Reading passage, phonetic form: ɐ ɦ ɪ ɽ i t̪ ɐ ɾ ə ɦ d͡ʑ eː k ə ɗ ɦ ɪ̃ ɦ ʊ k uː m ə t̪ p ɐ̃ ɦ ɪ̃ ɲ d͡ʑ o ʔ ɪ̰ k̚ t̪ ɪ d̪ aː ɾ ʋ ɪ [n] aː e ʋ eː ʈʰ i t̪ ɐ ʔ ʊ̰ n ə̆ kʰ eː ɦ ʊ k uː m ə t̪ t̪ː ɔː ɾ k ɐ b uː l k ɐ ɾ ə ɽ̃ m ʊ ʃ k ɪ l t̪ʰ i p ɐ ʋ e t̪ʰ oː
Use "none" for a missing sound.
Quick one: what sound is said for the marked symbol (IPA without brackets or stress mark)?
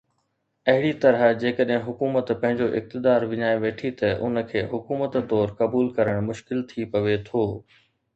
ɲ